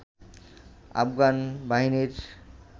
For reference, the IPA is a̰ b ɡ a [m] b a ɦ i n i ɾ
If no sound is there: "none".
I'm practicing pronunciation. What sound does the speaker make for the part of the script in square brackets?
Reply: n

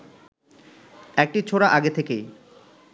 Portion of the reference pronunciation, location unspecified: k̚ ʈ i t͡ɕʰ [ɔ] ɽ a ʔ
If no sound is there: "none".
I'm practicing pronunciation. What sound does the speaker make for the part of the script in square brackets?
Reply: o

